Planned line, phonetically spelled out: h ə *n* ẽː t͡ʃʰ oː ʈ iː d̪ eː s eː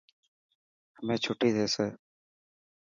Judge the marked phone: incorrect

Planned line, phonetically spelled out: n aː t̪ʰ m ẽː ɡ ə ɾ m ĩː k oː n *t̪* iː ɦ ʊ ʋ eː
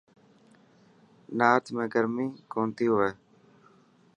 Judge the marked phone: correct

